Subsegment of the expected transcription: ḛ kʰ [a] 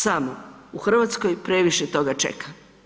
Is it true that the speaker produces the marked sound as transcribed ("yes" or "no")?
yes